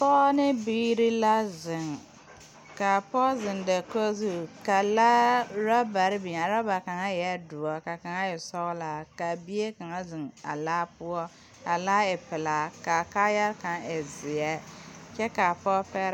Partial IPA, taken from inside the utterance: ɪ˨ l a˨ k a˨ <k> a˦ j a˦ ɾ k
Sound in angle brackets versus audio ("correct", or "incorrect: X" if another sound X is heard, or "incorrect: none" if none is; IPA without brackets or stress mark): correct